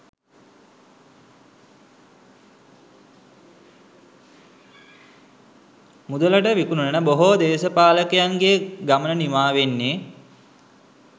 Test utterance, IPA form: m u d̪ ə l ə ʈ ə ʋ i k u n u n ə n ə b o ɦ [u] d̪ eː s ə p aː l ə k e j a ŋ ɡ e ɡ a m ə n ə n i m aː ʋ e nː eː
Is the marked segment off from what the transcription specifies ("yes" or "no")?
yes